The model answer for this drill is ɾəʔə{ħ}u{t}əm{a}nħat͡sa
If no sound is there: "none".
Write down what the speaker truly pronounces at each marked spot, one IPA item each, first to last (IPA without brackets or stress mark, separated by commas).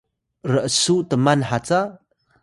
s, t, a